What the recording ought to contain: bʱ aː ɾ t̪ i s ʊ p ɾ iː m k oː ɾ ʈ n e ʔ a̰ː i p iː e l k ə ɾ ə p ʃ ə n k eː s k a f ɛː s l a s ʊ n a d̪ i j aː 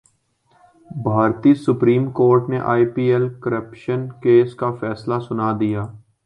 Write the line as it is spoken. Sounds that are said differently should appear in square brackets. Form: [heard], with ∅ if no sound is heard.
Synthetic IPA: bʱ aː ɾ t̪ i s ʊ p ɾ iː m k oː ɾ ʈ n e ʔ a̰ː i p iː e l k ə ɾ ə p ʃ ə n k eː s k a f ɛː s l a s ʊ n a d̪ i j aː